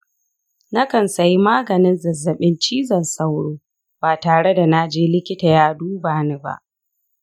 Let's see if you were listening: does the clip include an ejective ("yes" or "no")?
no